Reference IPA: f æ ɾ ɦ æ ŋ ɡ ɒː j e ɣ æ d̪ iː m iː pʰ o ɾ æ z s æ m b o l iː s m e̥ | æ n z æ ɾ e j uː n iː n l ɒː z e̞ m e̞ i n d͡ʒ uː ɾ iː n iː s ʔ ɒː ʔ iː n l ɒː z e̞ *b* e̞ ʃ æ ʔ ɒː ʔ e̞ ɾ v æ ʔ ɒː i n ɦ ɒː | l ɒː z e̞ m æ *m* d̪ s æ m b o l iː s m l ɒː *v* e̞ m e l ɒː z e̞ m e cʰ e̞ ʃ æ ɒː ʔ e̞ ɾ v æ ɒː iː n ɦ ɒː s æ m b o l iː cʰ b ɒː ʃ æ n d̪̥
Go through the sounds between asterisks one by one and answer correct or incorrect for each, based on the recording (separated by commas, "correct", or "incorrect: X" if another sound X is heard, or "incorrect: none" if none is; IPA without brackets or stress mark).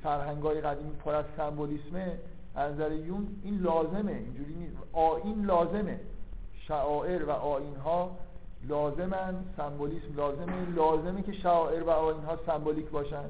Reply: incorrect: m, incorrect: n, incorrect: z